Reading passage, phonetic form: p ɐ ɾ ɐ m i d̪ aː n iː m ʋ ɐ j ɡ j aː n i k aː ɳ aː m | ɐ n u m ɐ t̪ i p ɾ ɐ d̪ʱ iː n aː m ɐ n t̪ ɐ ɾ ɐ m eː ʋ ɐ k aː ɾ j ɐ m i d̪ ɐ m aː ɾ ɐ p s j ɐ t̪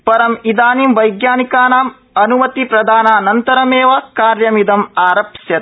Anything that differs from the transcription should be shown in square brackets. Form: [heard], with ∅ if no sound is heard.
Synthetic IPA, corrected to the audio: p ɐ ɾ ɐ m i d̪ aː n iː m ʋ ɐ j ɡ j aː n i k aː [n] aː m | ɐ n u m ɐ t̪ i p ɾ ɐ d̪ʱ [aː] n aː [n] ɐ n t̪ ɐ ɾ ɐ m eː ʋ ɐ k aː ɾ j ɐ m i d̪ ɐ m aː ɾ ɐ p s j ɐ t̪